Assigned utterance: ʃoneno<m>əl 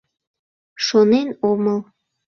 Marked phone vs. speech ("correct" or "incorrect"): correct